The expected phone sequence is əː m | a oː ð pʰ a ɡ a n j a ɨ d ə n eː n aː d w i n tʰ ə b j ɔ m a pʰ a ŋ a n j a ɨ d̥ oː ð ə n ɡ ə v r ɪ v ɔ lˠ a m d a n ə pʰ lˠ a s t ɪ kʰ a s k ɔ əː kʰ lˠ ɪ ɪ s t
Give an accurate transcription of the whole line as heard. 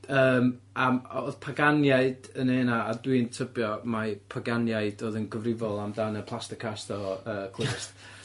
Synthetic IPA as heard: əː m | a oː ð pʰ a ɡ a n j a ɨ d ə n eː n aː d w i n tʰ ə b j ɔ m a pʰ a ɡ a n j a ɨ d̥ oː ð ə n ɡ ə v r ɪ v ɔ lˠ a m d a n ə pʰ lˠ a s t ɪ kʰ a s t ɔ əː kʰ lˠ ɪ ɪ s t